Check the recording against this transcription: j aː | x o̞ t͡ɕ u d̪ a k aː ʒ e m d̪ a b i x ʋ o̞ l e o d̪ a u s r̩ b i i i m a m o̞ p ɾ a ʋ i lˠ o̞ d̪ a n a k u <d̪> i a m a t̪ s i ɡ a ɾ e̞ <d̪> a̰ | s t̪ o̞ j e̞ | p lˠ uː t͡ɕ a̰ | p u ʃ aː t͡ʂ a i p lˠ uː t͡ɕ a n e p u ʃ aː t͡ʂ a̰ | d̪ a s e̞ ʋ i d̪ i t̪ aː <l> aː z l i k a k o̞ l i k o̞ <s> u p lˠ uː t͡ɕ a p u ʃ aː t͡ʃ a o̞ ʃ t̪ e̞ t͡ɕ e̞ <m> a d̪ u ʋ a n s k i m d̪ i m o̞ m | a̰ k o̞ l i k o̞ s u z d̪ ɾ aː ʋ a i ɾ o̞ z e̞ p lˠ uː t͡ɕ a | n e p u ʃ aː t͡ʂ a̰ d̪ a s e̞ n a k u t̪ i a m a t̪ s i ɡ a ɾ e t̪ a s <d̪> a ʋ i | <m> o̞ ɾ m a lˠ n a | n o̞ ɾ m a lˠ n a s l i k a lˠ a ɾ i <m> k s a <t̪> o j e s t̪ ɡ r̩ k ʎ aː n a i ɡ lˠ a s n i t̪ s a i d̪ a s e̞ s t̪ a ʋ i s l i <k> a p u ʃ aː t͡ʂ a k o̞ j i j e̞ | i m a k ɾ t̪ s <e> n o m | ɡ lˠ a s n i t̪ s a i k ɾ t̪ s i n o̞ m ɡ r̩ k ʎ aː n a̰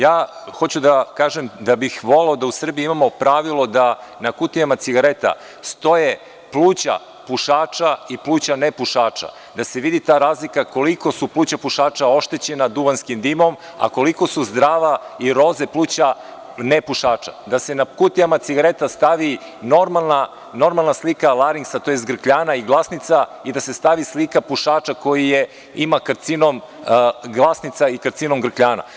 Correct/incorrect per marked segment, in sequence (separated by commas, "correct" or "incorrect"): incorrect, incorrect, incorrect, correct, incorrect, incorrect, incorrect, incorrect, correct, correct, incorrect